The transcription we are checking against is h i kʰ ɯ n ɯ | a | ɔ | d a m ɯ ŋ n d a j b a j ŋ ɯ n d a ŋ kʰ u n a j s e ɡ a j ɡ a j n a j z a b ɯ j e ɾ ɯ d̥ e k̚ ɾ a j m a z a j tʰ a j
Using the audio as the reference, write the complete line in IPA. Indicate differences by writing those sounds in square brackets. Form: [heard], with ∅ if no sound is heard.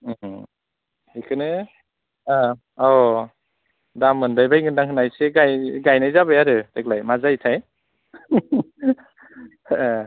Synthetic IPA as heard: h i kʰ ɯ n ɯ | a | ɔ | d a m ɯ [∅] n d a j b a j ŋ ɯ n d a ŋ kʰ [ɯ] n a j s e ɡ a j ɡ a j n a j z a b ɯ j [a] ɾ ɯ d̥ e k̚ [l] a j m a z a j tʰ a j